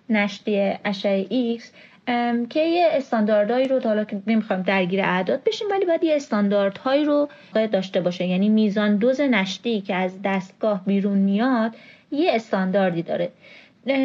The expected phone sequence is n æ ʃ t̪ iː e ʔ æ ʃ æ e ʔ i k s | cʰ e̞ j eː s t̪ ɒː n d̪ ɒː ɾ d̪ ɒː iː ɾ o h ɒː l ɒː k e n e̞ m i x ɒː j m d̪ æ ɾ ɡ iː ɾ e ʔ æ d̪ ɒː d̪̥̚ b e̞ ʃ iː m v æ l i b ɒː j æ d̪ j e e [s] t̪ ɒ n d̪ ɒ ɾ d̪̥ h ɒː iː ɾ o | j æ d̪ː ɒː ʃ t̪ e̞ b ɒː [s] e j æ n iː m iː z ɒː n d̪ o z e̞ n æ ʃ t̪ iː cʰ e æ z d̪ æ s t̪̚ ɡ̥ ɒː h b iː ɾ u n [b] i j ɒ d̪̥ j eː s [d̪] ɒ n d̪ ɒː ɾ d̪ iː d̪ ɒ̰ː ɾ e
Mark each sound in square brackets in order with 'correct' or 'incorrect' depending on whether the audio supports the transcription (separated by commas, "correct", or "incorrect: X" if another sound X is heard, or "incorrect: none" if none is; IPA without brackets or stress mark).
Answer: correct, incorrect: ʃ, incorrect: m, incorrect: t̪